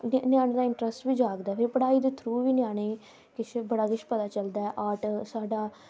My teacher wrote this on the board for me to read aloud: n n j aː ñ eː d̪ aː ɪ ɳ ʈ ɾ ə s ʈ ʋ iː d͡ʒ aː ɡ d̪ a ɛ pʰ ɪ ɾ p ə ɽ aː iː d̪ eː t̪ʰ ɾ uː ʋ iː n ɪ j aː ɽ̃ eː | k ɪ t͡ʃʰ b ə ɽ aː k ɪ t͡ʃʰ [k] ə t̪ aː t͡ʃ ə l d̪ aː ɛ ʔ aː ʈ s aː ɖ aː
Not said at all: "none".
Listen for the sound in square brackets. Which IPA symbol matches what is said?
p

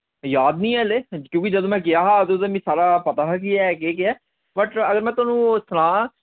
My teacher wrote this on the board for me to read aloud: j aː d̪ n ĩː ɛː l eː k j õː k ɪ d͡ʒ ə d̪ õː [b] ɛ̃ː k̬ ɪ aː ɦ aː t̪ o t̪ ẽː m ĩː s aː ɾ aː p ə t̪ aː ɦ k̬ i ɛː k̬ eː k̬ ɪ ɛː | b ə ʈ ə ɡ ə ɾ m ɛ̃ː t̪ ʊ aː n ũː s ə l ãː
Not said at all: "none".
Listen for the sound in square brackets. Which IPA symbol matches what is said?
m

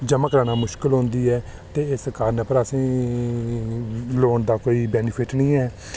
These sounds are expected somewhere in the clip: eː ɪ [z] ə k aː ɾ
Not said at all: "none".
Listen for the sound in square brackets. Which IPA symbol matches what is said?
s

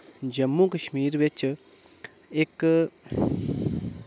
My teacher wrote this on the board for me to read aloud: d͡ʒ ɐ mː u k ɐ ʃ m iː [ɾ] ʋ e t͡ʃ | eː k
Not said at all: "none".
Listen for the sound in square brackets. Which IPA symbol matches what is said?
ɾ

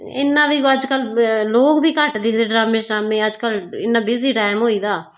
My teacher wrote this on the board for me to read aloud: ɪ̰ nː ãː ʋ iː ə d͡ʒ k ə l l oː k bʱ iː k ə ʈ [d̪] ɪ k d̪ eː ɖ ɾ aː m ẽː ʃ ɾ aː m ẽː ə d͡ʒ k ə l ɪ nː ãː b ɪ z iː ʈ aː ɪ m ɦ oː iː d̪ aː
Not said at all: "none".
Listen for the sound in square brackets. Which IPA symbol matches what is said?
d̪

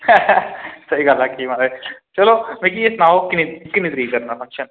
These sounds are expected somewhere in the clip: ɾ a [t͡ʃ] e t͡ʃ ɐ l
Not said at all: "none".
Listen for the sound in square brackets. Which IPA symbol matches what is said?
none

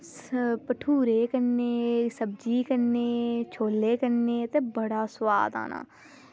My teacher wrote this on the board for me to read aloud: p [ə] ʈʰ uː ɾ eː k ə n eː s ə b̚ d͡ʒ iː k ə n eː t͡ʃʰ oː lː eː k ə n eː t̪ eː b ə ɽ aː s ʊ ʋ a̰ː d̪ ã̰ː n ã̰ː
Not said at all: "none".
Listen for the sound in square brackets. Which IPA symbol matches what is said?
ə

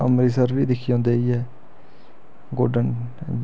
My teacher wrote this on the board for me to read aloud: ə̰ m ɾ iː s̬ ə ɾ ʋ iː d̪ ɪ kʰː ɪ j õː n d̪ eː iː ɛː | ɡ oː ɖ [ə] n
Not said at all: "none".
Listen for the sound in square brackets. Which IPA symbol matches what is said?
ə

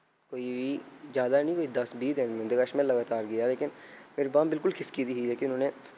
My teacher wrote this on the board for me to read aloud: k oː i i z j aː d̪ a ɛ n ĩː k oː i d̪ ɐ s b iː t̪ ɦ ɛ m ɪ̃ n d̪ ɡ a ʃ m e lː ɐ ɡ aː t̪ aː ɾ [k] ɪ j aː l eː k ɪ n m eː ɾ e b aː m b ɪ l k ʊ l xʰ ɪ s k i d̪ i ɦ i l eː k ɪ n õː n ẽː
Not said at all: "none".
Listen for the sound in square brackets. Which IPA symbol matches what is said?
ɡ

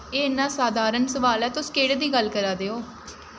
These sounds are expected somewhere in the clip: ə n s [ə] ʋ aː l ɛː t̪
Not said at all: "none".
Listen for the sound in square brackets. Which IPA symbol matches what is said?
ə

